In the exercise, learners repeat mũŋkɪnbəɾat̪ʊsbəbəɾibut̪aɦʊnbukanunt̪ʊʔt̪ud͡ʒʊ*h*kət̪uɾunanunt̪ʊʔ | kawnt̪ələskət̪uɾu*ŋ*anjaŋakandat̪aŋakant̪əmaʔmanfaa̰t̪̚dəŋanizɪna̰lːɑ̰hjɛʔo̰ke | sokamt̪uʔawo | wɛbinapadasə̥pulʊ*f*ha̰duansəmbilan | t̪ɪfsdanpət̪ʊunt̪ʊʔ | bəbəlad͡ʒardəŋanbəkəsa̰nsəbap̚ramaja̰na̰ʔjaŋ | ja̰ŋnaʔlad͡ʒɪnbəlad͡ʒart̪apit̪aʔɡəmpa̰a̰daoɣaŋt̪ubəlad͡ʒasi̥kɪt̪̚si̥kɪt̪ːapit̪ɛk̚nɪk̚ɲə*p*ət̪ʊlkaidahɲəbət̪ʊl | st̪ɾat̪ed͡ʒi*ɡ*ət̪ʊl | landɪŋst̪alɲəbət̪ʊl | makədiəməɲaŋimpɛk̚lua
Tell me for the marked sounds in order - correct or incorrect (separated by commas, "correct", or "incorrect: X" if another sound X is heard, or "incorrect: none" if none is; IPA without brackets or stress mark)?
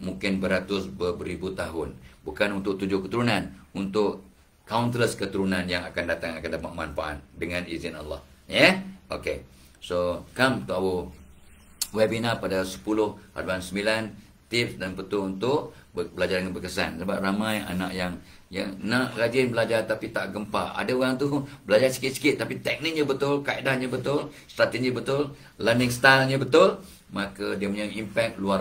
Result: correct, incorrect: n, incorrect: h, incorrect: b, incorrect: b